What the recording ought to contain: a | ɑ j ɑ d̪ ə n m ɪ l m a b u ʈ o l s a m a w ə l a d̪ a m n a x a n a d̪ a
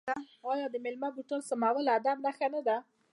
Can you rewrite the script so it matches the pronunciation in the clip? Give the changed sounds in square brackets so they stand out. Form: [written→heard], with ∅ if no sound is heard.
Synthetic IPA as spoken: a | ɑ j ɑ d̪ ə [n→∅] m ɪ l m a b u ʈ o l s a m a w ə l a d̪ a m n a x a n a d̪ a